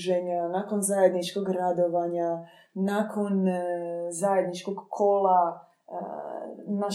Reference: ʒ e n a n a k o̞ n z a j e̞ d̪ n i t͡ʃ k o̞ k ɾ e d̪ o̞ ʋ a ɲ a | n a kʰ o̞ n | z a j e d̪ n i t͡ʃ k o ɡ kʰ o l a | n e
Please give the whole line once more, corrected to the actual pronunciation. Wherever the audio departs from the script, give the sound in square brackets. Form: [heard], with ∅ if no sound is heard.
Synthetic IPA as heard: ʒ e [ɲ] a n a k o̞ n z a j e̞ d̪ n i t͡ʃ k o̞ [ɡ] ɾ [a] d̪ o̞ ʋ a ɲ a | n a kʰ o̞ n | z a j e d̪ n i t͡ʃ k o ɡ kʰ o l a | n [a]